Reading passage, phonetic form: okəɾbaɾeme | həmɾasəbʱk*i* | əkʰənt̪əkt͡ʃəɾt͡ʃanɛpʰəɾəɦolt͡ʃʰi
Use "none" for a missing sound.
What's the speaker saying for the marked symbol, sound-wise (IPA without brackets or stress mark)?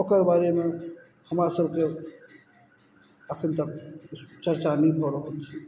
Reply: e